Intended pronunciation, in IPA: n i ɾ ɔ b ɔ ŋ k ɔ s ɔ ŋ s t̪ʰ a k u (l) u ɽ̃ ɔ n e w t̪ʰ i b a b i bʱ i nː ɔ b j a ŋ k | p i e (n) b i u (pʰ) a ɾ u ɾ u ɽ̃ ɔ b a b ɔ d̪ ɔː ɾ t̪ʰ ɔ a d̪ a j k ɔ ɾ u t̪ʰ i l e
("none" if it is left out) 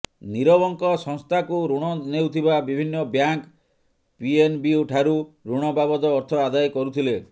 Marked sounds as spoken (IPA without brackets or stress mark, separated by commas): ɾ, n, ʈʰ